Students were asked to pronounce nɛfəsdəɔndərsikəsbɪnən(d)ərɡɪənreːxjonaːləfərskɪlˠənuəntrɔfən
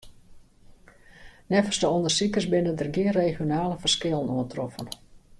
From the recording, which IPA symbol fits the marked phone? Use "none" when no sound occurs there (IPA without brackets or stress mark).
d